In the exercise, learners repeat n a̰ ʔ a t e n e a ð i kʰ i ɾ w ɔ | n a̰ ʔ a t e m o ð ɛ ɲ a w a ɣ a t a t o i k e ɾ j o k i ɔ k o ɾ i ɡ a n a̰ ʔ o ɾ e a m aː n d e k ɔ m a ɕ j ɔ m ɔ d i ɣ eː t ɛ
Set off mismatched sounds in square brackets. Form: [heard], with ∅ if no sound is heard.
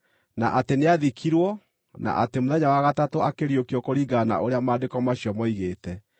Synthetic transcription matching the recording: n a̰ ʔ a t e n e a ð i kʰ i ɾ w ɔ | n a̰ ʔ a t e m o ð ɛ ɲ a w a ɣ a t a t o [a] k e ɾ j o k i ɔ k o ɾ i ɡ a n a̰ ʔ o ɾ e a m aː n d e k ɔ m a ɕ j ɔ m ɔ [∅] i ɣ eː t ɛ